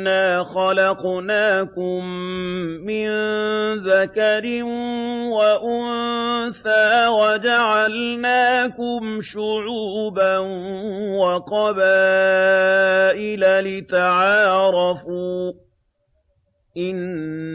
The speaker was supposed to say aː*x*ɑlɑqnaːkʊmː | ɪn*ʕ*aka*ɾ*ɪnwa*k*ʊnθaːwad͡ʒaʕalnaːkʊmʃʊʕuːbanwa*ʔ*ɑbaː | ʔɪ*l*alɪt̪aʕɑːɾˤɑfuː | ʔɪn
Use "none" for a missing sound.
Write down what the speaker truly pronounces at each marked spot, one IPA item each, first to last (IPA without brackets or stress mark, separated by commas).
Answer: x, ð, ɾ, ʔ, q, l